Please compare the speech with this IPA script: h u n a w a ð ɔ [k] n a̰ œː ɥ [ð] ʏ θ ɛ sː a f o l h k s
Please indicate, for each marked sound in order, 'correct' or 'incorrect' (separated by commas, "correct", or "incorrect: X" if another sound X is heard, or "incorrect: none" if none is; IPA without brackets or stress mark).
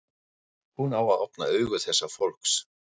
incorrect: p, incorrect: ɣ